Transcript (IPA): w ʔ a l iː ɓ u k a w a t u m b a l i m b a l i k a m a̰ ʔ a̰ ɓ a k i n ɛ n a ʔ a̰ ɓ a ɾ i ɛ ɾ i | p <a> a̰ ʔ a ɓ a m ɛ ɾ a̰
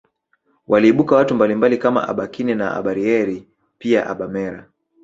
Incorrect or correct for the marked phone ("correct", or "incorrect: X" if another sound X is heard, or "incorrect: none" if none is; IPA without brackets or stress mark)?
incorrect: i